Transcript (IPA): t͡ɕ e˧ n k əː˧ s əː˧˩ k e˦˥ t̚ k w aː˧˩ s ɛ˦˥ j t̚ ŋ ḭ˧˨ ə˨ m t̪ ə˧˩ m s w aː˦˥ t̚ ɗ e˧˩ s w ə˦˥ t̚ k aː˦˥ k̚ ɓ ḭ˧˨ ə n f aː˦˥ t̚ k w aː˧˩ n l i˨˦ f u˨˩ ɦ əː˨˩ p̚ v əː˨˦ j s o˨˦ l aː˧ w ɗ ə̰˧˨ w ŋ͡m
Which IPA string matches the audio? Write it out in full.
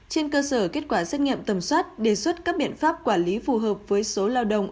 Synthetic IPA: t͡ɕ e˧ n k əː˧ s əː˧˩ k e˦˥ t̚ k w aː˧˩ s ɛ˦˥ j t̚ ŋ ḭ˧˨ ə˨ m t̪ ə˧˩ m s w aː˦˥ t̚ ɗ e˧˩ s w ə˦˥ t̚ k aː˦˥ k̚ ɓ ḭ˧˨ ə n f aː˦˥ p̚ k w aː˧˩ n l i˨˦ f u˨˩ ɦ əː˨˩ p̚ v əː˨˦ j s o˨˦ l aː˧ w ɗ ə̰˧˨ w ŋ͡m

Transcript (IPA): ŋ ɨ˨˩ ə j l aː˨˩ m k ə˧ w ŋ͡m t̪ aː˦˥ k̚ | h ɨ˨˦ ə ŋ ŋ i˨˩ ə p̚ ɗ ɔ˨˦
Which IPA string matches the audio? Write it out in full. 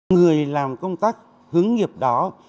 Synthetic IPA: ŋ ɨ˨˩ ə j l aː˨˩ m k ə˧ w ŋ͡m t̪ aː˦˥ k̚ | h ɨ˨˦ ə ŋ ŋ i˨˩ ə p̚ ɗ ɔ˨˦

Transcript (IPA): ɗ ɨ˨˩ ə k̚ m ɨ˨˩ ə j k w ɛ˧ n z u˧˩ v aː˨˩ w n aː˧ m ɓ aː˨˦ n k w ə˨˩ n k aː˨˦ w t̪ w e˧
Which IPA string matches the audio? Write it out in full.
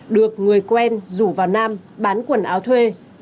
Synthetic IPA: ɗ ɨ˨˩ ə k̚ ŋ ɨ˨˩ ə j k w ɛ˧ n z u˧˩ v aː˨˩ w n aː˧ m ɓ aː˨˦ n k w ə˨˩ n ʔ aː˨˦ w t̪ʰ w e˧

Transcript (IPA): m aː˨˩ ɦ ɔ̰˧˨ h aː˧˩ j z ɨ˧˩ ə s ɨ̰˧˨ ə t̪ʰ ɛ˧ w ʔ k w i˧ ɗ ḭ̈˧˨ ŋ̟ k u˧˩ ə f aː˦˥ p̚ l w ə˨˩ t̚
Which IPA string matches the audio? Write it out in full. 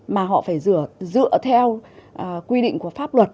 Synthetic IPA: m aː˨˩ ɦ ɔ̰˧˨ f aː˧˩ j z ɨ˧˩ ə z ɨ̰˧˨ ə t̪ʰ ɛ˧ w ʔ k w i˧ ɗ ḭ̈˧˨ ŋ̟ k u˧˩ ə f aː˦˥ p̚ l w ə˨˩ t̚

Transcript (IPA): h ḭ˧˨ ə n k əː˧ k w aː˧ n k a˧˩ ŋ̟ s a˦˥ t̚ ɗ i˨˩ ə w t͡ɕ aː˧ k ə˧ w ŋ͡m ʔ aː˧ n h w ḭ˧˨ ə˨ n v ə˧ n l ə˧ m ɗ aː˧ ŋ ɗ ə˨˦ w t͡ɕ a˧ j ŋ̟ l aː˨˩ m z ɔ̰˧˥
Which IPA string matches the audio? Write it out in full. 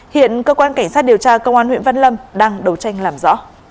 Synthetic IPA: h ḭ˧˨ ə n k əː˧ k w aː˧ n k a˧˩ ŋ̟ s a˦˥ t̚ ɗ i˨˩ ə w t͡ɕ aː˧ k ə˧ w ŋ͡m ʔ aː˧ n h w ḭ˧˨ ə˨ n v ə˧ n l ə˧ m ɗ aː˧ ŋ ɗ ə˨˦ w t͡ɕ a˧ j ŋ̟ l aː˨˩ m z ɔ̰˧˥

